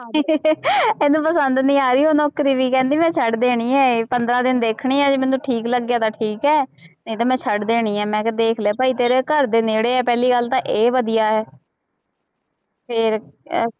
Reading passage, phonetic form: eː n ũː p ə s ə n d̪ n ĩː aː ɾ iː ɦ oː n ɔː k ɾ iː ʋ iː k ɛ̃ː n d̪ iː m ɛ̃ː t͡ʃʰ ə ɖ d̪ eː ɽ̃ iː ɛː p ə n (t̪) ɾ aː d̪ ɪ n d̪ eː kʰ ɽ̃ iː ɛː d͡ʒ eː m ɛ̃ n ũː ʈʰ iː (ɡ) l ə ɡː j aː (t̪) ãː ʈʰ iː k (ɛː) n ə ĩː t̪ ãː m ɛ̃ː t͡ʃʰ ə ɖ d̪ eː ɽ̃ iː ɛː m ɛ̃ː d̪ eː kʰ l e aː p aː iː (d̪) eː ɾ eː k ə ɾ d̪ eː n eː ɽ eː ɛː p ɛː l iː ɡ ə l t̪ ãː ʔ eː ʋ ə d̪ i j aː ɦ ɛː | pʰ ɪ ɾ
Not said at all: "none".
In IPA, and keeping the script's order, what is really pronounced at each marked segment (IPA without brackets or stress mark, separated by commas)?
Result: d̪, k, t̪, ɛː, t̪